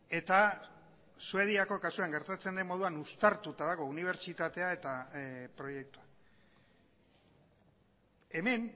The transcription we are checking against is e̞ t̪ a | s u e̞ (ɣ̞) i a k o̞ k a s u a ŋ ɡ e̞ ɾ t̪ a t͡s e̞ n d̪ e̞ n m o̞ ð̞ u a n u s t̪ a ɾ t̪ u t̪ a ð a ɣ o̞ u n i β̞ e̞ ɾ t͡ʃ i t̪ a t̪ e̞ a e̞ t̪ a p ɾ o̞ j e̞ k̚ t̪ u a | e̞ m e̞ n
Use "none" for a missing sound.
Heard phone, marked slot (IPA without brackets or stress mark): ð̞